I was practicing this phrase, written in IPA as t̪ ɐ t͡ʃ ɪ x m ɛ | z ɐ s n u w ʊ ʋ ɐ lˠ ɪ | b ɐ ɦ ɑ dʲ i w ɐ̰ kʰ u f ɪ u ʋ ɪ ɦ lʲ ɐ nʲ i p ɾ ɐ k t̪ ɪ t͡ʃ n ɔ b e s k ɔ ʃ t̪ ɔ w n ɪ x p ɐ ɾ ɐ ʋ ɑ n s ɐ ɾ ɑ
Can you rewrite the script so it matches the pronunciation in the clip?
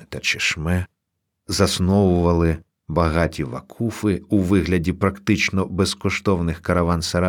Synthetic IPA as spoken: t̪ ɐ t͡ʃ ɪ ʃ m ɛ | z ɐ s n ɔ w ʊ ʋ ɐ lˠ ɪ | b ɐ ɦ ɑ tʲ i ʋ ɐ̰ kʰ u f ɪ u ʋ ɪ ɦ lʲ ɐ dʲ i p ɾ ɐ k t̪ ɪ t͡ʃ n ɔ b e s k ɔ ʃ t̪ ɔ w n ɪ x k ɐ ɾ ɐ ʋ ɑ n s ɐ ɾ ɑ